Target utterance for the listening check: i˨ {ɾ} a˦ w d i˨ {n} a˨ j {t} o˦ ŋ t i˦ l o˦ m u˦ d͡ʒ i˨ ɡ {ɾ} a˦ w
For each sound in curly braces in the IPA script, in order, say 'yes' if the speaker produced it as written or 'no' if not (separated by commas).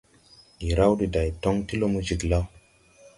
yes, no, yes, no